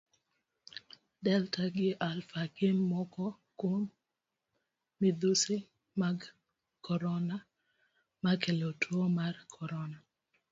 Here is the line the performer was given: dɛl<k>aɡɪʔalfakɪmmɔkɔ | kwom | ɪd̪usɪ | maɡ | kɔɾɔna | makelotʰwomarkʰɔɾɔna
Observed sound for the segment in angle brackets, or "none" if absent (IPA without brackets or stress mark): t